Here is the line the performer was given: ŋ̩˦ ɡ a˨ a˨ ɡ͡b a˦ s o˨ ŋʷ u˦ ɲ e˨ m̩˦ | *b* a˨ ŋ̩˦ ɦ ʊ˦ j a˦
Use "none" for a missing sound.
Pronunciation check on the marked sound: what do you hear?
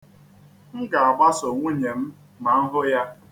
m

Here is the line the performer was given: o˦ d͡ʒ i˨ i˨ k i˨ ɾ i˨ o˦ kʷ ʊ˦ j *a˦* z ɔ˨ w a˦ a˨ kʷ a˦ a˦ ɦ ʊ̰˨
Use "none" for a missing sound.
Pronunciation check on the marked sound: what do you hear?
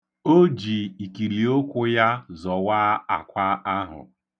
a˦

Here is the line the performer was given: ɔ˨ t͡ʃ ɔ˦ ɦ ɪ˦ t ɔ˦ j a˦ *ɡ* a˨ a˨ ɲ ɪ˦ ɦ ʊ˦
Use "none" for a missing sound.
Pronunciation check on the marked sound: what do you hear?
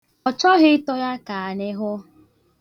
k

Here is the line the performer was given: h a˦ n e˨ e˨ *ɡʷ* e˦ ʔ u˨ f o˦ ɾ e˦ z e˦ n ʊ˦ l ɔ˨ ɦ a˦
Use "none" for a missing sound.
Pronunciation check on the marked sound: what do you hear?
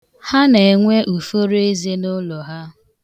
ŋʷ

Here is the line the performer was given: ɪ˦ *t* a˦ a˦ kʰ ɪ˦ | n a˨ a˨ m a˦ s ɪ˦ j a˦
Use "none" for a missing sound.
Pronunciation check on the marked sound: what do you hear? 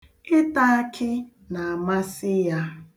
t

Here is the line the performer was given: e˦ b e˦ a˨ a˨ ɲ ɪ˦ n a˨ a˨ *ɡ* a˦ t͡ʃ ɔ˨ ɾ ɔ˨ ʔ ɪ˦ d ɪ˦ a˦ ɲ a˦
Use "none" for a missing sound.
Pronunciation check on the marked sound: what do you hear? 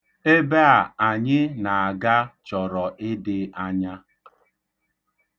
ɡ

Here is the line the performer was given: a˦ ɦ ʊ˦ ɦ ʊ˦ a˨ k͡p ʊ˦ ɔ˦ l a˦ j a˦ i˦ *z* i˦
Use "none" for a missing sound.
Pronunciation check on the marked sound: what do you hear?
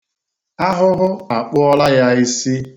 s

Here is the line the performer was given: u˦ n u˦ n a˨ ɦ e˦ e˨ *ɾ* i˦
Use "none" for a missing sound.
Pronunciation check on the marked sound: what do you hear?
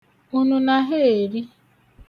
ɾ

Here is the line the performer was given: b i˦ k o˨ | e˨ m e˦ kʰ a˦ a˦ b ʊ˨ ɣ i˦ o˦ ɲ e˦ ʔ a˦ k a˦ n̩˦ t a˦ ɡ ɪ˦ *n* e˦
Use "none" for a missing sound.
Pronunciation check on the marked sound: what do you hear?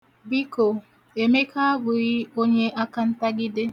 d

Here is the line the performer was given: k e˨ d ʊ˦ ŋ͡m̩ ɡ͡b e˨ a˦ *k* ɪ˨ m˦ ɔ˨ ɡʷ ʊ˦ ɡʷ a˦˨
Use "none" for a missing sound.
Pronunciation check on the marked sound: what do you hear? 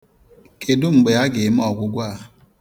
ɡ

